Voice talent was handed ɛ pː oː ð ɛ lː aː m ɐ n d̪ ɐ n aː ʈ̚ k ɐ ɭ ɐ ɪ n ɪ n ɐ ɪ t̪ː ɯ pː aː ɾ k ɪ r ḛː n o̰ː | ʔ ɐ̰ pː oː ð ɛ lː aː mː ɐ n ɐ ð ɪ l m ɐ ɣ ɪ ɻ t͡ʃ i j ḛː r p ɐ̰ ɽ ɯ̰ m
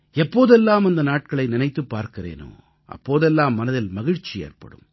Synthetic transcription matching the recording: ɛ pː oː ð ɛ lː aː m ɐ n d̪ ɐ n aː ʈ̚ k ɐ ɭ ɐ ɪ n ɪ n ɐ ɪ t̪ː ɯ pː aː ɾ k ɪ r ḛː n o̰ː | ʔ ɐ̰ pː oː ð ɛ lː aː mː ɐ n ɐ ð ɪ l m ɐ ɣ ɪ ɻ t͡ʃ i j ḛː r p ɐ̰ ɽ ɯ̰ m

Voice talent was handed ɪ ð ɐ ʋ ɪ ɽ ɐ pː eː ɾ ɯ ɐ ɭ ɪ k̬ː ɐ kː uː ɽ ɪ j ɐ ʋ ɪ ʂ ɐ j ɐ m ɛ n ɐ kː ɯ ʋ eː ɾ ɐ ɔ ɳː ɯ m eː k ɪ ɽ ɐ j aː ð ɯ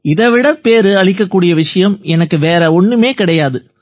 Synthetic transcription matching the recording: ɪ ð ɐ ʋ ɪ ɽ ɐ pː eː ɾ ɯ ɐ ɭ ɪ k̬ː ɐ kː uː ɽ ɪ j ɐ ʋ ɪ ʂ ɐ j ɐ m ɛ n ɐ kː ɯ ʋ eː ɾ ɐ ɔ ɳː ɯ m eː k ɪ ɽ ɐ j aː ð ɯ

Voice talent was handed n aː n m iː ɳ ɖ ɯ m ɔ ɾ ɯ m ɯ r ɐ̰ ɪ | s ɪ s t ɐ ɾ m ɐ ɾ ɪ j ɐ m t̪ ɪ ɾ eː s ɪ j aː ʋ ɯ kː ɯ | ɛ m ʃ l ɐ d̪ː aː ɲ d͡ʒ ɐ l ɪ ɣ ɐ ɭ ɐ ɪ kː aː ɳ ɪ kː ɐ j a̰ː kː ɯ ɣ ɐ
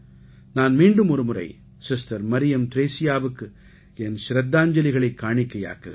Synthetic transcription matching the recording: n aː n m iː ɳ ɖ ɯ m ɔ ɾ ɯ m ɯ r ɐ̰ ɪ | s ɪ s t ɐ ɾ m ɐ ɾ ɪ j ɐ m t̪ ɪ ɾ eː s ɪ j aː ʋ ɯ kː ɯ | ɛ n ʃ ɾ ɐ d̪ː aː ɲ d͡ʒ ɐ l ɪ ɣ ɐ ɭ ɐ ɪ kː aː ɳ ɪ kː ɐ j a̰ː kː ɯ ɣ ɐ

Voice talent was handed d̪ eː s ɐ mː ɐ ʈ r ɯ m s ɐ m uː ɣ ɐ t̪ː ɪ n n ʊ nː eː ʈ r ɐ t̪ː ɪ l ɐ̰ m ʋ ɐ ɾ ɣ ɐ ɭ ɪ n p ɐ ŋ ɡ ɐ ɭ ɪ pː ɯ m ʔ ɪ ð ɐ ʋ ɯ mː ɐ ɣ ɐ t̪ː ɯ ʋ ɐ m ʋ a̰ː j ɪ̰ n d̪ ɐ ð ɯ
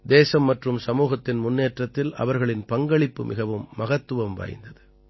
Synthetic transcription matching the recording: d̪ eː s ɐ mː ɐ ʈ r ɯ m s ɐ m uː ɣ ɐ t̪ː ɪ n m ʊ nː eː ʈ r ɐ t̪ː ɪ l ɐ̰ ʋ ɐ ɾ ɣ ɐ ɭ ɪ n p ɐ ŋ ɡ ɐ ɭ ɪ pː ɯ m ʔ ɪ ɣ ɐ ʋ ɯ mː ɐ ɣ ɐ t̪ː ɯ ʋ ɐ m ʋ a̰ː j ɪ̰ n d̪ ɐ ð ɯ

